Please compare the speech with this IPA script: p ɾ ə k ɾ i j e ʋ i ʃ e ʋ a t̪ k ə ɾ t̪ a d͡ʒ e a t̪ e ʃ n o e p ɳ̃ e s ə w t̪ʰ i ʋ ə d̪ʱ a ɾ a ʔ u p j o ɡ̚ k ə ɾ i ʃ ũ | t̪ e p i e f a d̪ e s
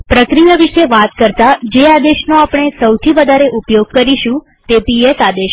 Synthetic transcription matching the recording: p ɾ ə k ɾ i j a ʋ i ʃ e ʋ a t̪ k ə ɾ t̪ a d͡ʒ e a d̪ e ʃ n o a p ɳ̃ e s ə w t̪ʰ i ʋ ə d̪ʱ a ɾ e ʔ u p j o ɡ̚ k ə ɾ i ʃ ũ | t̪ e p i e s a d̪ e ʃ